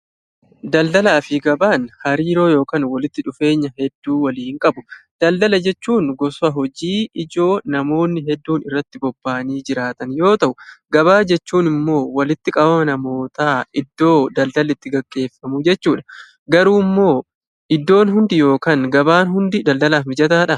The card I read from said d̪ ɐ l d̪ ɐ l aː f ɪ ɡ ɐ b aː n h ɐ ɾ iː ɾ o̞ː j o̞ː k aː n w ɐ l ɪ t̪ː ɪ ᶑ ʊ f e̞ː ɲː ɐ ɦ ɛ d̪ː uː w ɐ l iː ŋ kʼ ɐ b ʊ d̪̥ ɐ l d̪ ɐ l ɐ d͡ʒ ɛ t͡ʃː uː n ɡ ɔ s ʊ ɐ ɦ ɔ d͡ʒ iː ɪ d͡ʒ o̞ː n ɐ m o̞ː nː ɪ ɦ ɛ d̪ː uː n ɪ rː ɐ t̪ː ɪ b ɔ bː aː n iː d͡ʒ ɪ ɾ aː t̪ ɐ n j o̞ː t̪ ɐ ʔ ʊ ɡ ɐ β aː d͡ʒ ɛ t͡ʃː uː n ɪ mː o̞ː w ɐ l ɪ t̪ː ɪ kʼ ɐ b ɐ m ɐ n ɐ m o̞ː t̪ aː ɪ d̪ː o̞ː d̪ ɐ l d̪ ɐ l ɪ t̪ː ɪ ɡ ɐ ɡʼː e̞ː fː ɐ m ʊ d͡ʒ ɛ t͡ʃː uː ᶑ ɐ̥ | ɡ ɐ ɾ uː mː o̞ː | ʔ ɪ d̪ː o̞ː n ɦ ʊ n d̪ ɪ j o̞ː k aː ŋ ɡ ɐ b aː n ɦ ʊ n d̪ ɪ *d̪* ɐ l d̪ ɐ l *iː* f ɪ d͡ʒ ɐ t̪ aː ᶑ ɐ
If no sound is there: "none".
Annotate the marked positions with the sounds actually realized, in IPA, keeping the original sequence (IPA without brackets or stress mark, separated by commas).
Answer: d̪, aː